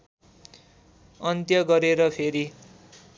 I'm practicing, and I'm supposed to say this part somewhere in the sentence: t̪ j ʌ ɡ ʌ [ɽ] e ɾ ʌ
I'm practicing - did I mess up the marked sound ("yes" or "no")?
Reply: yes